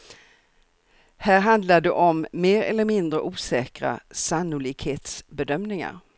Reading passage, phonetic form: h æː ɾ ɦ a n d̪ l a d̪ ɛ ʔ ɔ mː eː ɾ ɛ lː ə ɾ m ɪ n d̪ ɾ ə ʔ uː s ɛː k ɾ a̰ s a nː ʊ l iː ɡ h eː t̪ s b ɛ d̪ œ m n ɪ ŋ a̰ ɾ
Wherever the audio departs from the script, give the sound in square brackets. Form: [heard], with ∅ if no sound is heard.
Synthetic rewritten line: h æː ɾ ɦ a n d̪ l a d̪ ɛ ʔ ɔ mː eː ɾ ɛ lː ə ɾ m ɪ n d̪ ɾ ə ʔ uː s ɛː k ɾ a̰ s a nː ʊ l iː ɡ h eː t̪ s b ɛ d̪ œ m n ɪ ŋ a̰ ɾ